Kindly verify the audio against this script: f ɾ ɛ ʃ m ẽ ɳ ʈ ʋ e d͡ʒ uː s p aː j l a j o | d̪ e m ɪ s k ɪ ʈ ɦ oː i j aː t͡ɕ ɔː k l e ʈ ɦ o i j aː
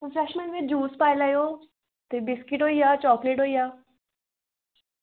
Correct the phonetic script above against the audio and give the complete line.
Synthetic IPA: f ɾ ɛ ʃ m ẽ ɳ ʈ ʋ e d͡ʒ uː s p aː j l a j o | t̪ e b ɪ s k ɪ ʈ ɦ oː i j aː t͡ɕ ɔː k l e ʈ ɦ o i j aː